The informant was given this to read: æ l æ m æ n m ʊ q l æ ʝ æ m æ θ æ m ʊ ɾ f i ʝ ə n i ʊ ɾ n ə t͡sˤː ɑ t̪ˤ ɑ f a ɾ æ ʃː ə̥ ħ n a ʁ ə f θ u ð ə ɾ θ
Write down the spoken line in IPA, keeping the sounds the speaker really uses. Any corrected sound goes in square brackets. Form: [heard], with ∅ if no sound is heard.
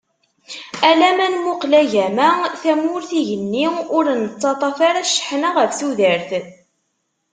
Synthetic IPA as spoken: æ l æ m æ n m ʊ q l æ ʝ æ m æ θ æ m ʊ ɾ [θ] i ʝ ə [nː] i ʊ ɾ n ə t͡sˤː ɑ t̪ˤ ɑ f a ɾ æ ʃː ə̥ ħ n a ʁ ə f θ u ð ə ɾ θ